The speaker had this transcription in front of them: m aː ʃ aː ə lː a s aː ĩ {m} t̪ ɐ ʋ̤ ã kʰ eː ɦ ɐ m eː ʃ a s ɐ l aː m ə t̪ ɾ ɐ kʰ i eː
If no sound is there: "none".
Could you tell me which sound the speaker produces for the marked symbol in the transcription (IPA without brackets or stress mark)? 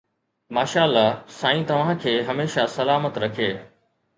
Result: none